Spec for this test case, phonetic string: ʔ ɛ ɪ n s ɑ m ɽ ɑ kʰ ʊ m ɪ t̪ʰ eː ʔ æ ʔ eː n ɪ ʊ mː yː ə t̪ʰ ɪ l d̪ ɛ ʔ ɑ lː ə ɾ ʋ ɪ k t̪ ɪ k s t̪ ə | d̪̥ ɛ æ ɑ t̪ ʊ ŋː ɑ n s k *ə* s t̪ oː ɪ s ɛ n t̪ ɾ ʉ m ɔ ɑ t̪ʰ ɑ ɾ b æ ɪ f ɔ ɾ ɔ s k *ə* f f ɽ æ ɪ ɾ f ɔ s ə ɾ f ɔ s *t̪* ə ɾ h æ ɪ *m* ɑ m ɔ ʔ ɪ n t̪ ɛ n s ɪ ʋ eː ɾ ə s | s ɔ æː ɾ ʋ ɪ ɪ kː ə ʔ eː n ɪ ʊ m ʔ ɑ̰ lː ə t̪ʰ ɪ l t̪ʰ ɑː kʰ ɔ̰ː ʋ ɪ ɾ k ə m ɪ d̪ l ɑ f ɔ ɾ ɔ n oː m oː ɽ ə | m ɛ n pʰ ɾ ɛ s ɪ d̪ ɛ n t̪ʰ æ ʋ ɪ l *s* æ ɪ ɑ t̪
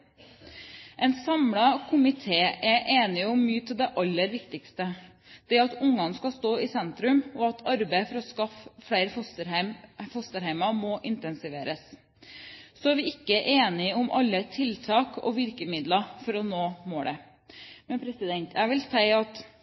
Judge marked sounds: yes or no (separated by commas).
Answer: no, no, yes, yes, yes